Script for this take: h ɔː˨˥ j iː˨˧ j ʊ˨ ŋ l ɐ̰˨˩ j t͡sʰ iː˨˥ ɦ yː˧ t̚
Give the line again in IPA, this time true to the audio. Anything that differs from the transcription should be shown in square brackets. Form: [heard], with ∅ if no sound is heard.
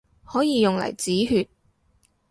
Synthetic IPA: h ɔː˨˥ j iː˨˧ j ʊ˨ ŋ l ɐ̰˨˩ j [t͡s] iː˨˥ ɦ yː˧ t̚